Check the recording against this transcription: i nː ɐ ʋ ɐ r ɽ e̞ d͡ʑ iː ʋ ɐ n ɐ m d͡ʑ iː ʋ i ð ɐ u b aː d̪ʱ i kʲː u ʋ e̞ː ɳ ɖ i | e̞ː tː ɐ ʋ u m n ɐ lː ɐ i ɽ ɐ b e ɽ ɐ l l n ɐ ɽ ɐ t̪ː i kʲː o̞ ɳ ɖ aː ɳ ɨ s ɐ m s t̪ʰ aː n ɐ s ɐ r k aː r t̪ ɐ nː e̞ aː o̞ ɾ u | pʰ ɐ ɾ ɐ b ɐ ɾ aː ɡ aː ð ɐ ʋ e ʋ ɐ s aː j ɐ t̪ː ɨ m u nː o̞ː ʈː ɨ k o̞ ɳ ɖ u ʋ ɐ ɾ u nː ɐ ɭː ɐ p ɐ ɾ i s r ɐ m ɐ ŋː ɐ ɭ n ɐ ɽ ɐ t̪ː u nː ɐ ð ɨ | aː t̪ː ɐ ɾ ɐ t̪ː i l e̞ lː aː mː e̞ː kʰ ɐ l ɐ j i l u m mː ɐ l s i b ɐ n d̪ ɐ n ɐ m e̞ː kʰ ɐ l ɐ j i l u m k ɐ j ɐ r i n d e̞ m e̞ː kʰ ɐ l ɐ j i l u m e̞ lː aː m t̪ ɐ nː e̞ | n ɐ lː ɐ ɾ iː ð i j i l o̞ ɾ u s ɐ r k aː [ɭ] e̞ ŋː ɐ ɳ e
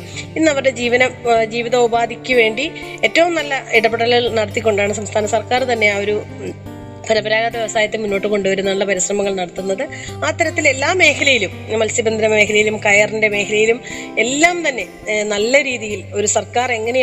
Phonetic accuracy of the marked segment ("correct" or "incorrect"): incorrect